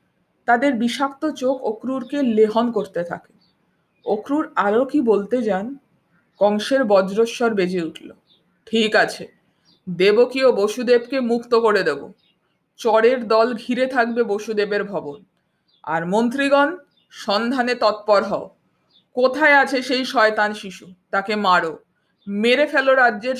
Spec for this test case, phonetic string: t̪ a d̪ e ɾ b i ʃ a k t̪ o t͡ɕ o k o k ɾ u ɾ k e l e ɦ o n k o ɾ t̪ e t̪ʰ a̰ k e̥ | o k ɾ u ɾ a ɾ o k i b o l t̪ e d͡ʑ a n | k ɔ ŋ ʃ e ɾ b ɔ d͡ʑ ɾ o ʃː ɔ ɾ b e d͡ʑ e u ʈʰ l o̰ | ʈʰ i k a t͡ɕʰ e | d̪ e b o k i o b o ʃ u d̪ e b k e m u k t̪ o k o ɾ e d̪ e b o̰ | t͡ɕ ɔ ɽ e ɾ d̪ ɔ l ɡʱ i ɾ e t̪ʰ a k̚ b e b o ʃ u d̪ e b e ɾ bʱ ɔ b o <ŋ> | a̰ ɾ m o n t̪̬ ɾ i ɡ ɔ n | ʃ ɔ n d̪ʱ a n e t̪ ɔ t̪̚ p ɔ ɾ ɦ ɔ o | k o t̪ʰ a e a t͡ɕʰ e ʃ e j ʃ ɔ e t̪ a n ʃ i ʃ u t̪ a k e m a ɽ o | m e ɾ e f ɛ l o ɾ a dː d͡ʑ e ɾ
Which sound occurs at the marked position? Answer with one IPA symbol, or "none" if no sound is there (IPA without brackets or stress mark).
n